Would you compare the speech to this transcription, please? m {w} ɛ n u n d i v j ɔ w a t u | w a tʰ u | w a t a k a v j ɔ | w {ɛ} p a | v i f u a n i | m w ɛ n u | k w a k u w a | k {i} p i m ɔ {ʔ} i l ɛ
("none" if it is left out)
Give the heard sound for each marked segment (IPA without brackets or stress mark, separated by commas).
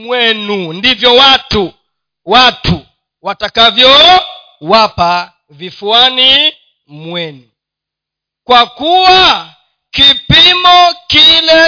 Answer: w, a, i, k